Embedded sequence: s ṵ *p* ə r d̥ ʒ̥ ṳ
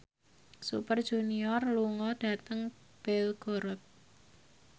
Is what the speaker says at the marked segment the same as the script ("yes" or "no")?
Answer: yes